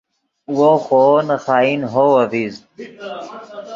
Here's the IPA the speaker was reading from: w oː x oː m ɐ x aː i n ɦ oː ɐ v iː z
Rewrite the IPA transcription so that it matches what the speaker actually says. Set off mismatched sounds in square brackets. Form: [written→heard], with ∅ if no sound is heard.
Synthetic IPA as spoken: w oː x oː [m→n] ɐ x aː i n ɦ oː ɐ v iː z